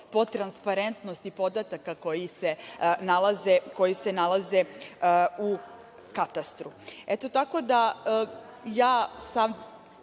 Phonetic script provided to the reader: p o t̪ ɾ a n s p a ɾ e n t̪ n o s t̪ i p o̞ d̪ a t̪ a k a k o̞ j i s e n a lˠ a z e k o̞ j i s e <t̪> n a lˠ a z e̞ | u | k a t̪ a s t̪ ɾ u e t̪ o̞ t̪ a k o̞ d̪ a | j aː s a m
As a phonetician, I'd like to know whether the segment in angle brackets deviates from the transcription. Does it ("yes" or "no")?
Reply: yes